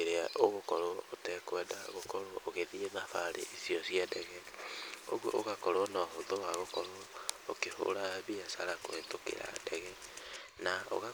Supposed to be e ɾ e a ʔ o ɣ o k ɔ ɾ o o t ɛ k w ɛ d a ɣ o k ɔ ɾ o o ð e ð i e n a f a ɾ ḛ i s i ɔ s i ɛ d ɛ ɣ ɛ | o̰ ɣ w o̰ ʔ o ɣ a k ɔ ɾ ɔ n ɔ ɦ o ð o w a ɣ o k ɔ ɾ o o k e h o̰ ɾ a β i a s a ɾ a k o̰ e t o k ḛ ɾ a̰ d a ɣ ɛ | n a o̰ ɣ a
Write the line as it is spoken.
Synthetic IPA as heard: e ɾ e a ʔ o ɣ o k ɔ ɾ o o t ɛ k w ɛ d a ɣ o k ɔ ɾ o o ɣ e ð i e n a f a ɾ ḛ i s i ɔ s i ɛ d ɛ ɣ ɛ | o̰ ɣ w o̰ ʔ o ɣ a k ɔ ɾ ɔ n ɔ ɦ o ð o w a ɣ o k ɔ ɾ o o k e h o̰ ɾ a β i a s a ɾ a k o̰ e t o k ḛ ɾ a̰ d ɛ ɣ ɛ | n a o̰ ɣ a